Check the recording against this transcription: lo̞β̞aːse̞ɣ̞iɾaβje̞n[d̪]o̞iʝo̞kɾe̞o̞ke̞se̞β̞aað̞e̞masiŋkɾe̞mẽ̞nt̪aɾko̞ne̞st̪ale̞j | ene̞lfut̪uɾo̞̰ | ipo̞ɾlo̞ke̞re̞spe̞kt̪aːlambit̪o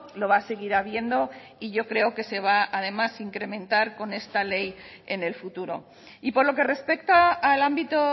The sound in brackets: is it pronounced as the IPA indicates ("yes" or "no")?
yes